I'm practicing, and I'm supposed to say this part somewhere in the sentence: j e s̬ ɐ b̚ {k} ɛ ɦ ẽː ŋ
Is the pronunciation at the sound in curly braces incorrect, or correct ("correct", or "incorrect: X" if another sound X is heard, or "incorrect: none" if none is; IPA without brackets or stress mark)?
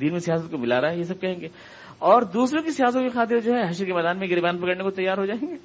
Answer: correct